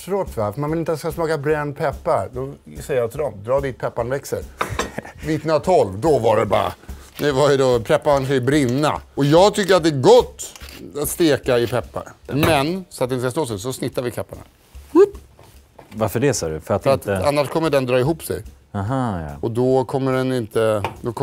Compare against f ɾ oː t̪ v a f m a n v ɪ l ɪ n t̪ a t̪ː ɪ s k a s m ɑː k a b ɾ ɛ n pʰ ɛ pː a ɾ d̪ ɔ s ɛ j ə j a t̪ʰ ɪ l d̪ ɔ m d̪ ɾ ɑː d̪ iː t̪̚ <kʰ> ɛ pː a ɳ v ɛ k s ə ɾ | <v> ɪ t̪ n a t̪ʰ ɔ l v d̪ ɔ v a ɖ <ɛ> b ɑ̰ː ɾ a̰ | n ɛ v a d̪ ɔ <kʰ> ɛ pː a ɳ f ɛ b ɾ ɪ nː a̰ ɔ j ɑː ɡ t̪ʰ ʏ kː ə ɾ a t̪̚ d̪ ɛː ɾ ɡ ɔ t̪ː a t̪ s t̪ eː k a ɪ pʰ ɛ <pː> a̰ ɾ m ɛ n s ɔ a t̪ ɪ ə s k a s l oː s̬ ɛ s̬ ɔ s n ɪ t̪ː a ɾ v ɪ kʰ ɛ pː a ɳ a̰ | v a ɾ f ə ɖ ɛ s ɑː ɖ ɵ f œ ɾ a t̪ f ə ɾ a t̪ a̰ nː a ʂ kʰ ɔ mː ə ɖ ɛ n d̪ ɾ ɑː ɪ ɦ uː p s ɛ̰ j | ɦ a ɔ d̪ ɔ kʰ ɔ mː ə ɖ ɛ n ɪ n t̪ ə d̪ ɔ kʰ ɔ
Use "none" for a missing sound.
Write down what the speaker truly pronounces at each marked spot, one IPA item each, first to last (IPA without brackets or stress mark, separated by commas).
pʰ, v, ɛ, pʰ, pː